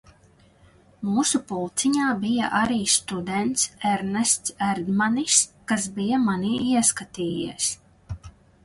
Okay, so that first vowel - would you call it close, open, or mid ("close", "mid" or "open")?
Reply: close